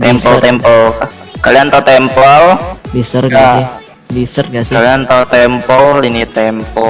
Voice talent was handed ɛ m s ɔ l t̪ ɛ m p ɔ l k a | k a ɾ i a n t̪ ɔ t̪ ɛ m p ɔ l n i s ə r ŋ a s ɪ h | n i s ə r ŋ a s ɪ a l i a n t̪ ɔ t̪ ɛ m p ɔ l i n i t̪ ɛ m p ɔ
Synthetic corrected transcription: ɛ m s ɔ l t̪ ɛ m p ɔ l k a | k a l i a n t̪ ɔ t̪ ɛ m p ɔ l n i s ə r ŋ a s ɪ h | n i s ə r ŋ a s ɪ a l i a n t̪ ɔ t̪ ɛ m p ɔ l i n i t̪ ɛ m p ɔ